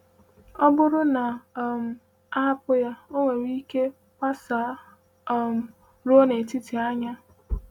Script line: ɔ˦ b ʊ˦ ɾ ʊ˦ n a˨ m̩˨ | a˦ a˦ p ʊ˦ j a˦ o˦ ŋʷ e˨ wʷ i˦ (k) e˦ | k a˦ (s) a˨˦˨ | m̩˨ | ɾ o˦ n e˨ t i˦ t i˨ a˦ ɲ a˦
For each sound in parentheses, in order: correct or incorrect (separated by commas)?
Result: correct, correct